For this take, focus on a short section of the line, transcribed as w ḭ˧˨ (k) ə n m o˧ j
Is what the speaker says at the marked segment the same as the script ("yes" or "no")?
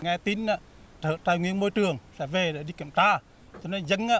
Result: no